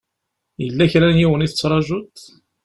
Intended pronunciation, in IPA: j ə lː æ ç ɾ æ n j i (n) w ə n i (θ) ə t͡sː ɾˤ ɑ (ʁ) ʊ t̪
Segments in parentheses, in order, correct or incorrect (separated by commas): incorrect, correct, incorrect